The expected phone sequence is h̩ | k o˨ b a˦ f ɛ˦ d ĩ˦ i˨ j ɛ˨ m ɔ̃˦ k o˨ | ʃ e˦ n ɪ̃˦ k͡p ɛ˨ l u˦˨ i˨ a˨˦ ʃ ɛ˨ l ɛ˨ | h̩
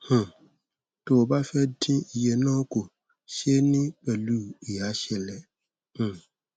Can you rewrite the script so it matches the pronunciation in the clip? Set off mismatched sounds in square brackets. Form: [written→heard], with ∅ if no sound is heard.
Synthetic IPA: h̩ | [k→t] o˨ b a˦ f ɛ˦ d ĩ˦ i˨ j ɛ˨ [m→n] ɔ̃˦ k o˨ | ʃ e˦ n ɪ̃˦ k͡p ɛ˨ l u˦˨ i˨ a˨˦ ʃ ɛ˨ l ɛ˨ | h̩